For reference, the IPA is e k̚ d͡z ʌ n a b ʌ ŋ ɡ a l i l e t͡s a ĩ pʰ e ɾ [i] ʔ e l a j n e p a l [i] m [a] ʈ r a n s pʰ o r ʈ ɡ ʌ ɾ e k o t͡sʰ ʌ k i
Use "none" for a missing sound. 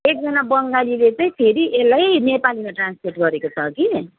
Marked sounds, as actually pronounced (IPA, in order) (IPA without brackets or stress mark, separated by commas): i, i, a